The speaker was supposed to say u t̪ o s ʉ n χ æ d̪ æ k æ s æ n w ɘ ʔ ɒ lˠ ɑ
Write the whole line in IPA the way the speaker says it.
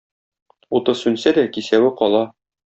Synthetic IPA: u t̪ ɤ s ʉ n s æ d̪ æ k i s æ w ɘ q ɒ lˠ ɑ